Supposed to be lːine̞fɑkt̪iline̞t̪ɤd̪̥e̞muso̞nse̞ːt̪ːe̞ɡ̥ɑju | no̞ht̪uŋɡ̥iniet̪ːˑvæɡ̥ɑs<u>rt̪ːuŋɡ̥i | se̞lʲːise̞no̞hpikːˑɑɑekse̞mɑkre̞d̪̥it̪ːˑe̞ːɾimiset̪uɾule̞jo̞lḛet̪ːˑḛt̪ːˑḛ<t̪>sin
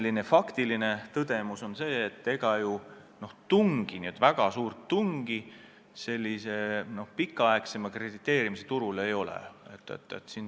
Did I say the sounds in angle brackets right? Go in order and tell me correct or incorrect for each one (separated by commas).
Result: incorrect, correct